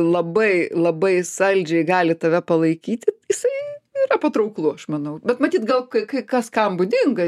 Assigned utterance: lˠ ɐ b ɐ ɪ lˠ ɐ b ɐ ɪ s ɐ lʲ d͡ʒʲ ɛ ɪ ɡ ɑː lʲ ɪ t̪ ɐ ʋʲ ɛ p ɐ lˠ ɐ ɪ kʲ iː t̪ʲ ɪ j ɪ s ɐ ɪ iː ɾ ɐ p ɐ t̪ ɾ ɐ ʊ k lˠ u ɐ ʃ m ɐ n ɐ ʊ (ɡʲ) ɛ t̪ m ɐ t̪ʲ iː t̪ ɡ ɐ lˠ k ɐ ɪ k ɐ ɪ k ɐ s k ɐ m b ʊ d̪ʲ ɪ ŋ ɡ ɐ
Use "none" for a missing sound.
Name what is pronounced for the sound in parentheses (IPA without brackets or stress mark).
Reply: bʲ